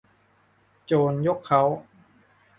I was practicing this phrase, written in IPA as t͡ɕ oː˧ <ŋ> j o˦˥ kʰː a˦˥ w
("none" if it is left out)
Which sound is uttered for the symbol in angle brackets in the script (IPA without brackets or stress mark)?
n